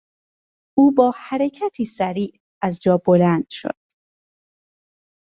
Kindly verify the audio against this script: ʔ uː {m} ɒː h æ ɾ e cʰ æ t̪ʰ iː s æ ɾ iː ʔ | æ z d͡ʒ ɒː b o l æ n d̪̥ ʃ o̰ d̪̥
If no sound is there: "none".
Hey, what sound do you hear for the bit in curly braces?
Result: b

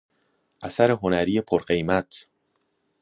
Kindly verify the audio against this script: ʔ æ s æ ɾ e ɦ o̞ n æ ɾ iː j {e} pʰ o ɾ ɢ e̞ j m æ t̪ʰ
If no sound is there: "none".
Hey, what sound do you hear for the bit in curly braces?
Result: e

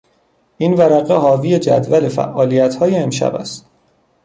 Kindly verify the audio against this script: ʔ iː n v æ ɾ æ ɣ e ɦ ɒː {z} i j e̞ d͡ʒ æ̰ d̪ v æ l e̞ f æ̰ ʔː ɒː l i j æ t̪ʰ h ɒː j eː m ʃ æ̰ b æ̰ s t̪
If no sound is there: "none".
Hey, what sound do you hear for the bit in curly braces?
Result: v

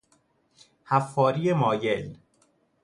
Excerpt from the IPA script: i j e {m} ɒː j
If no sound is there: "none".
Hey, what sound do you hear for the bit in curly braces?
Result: m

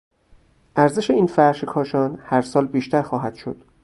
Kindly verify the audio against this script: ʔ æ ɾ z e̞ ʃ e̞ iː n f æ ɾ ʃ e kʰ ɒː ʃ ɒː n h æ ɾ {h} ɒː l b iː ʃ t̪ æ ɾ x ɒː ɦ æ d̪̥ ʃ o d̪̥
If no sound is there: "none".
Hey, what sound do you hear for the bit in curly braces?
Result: s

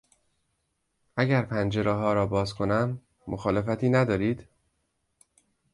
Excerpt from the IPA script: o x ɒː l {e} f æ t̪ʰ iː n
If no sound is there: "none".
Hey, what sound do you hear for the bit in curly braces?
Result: e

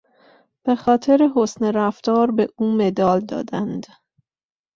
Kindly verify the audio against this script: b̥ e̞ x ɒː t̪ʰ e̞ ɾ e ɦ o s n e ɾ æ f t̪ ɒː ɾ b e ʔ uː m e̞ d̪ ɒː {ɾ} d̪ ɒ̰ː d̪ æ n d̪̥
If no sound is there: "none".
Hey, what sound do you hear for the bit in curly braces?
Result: l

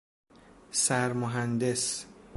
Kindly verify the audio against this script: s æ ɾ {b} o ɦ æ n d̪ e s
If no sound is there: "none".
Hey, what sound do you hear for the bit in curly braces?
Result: m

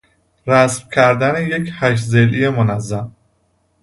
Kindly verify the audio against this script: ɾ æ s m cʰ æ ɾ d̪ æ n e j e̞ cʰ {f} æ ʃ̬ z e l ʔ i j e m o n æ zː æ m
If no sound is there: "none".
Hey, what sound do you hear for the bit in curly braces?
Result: h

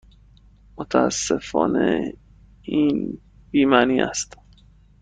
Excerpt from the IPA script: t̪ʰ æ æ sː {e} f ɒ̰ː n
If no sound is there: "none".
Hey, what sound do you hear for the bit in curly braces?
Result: e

